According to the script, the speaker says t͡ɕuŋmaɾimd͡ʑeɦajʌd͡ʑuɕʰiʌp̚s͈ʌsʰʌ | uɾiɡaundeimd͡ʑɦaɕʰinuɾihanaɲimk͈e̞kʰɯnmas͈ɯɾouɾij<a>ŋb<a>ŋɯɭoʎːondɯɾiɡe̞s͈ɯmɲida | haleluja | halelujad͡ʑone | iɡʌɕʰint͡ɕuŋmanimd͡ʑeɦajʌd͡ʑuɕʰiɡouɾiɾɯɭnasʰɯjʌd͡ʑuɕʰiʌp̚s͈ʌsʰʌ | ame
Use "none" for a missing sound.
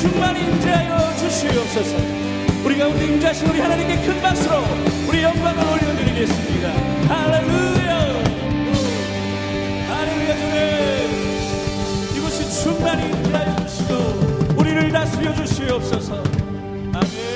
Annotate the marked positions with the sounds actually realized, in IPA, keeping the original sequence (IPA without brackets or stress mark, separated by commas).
ʌ, a